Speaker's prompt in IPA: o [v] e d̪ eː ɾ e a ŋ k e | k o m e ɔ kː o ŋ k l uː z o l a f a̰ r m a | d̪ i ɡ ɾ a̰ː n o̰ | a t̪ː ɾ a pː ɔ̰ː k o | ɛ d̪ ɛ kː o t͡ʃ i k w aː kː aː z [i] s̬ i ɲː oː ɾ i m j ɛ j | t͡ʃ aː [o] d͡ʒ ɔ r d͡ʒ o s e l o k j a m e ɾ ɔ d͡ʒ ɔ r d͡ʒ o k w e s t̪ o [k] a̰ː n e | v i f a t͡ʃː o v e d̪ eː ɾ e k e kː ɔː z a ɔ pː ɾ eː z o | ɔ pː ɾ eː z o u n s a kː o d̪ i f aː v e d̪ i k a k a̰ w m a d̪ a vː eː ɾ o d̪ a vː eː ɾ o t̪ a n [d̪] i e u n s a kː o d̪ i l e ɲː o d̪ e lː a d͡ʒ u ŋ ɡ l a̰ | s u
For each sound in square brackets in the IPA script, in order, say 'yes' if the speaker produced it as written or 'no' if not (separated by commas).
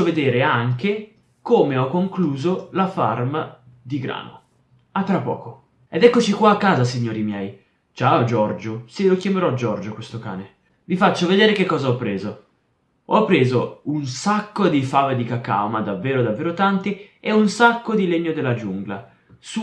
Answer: yes, no, yes, yes, no